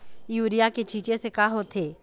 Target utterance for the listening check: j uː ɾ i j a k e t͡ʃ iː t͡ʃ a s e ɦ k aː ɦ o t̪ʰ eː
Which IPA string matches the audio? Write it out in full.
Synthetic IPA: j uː ɾ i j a k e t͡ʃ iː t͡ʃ e s e k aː ɦ o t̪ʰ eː